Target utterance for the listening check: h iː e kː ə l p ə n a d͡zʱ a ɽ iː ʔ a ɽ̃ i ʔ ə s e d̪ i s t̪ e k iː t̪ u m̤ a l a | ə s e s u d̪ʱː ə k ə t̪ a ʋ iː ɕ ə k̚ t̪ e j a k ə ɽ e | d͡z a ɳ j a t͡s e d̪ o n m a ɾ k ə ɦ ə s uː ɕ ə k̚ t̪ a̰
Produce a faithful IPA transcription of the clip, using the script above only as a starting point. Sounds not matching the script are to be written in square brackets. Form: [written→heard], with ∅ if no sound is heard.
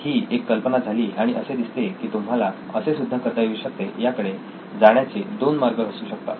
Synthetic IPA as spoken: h iː e kː ə l p ə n a d͡zʱ a [ɽ→l] iː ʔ a ɽ̃ i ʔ ə s e d̪ i s t̪ e k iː t̪ u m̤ a l a | ə s e s u d̪ʱː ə k ə t̪ a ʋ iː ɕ ə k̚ t̪ e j a k ə ɽ e | d͡z a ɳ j a t͡s e d̪ o n m a ɾ [k→ɡ] ə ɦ ə s uː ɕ ə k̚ t̪ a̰